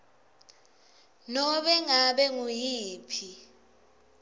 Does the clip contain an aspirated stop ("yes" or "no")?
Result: yes